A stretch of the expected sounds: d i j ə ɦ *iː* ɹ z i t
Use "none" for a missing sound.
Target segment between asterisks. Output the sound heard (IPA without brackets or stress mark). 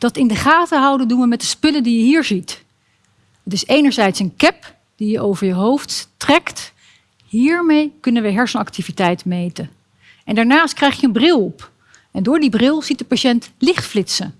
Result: iː